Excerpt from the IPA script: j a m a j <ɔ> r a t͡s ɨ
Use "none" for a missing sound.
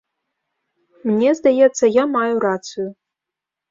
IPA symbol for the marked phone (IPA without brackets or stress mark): u